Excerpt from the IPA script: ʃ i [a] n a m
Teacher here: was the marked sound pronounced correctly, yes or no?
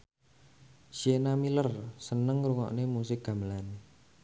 no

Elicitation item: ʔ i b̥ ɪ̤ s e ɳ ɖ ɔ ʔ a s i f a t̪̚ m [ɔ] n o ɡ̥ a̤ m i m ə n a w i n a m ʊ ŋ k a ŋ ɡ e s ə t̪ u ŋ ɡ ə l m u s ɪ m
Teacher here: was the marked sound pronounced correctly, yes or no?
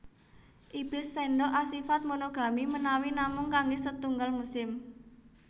no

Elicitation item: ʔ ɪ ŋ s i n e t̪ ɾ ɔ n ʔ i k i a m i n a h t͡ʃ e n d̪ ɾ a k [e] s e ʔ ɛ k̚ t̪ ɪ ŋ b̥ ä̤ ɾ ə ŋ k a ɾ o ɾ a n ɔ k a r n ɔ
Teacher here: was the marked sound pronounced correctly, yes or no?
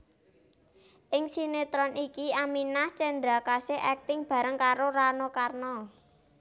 no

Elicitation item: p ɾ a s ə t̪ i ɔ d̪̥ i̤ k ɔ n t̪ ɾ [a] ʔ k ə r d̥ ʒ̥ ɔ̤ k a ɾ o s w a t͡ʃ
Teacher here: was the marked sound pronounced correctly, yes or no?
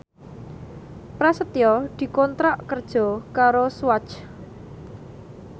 yes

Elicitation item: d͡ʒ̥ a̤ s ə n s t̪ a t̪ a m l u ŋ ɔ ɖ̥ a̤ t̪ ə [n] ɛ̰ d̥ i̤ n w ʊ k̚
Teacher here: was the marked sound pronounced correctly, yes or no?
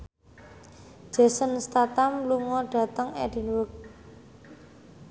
no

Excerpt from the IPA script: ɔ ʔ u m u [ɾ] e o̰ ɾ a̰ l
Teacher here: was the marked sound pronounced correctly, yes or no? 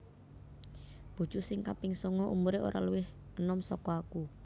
yes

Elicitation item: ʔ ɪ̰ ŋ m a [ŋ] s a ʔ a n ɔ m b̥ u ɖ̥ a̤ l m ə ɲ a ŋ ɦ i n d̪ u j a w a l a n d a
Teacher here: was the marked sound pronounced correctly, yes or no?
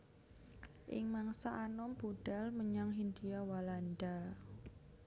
yes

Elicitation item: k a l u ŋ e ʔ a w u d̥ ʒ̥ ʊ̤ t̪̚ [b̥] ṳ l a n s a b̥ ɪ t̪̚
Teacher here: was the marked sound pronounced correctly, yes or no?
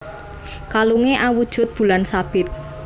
yes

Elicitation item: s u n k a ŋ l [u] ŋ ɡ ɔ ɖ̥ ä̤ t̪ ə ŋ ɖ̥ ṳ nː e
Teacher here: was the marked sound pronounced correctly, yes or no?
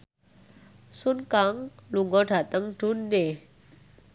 yes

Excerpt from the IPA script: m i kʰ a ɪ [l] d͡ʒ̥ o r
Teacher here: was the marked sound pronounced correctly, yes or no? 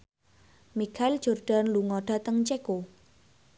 yes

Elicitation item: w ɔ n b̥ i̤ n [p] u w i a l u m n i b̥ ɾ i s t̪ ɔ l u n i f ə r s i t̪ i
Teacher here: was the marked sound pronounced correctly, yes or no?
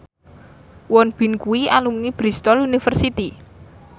no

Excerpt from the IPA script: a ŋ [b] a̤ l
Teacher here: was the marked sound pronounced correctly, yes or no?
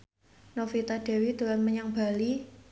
yes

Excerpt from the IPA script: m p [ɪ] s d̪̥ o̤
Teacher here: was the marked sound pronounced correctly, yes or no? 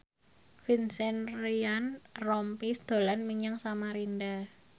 no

